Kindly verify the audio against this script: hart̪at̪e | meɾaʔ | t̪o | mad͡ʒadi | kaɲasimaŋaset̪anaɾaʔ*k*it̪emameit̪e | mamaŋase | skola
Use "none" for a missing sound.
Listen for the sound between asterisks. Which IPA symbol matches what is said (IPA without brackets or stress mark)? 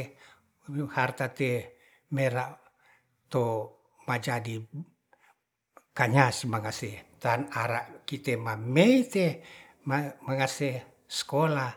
k